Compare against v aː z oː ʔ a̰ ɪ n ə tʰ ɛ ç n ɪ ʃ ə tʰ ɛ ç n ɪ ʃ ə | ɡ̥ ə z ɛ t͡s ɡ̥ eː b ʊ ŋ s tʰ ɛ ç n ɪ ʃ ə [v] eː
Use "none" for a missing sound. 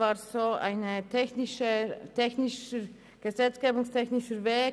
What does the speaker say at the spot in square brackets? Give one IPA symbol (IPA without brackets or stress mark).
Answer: v